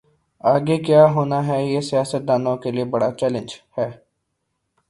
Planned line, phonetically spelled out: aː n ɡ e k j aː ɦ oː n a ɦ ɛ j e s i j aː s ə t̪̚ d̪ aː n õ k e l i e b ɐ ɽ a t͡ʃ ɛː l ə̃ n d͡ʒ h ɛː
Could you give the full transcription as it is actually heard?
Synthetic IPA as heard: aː ɡ e k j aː ɦ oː n a ɦ ɛ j e s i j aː s ə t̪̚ d̪ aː n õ k e l i e b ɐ ɽ a t͡ʃ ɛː l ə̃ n d͡ʒ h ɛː